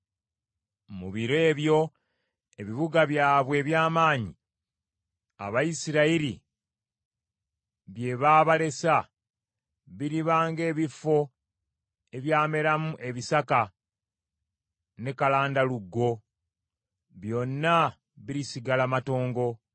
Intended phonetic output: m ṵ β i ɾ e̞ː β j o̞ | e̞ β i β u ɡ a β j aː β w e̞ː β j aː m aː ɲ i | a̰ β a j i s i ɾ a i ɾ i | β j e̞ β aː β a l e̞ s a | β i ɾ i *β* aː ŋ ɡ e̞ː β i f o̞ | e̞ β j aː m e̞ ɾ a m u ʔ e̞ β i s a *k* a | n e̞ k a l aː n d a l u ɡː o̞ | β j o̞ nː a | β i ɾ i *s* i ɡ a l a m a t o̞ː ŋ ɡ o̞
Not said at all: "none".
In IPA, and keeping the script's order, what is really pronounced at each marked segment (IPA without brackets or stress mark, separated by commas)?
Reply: β, k, s